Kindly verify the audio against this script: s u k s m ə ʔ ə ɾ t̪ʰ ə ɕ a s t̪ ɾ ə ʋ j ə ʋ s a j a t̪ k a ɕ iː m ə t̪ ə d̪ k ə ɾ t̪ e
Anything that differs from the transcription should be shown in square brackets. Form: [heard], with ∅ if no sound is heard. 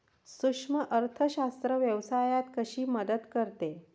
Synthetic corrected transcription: s u k [ʂ] m ə ʔ ə ɾ t̪ʰ ə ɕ a s t̪ ɾ ə ʋ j ə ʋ s a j a t̪ k [ə] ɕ iː m ə [d̪] ə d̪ k ə ɾ t̪ e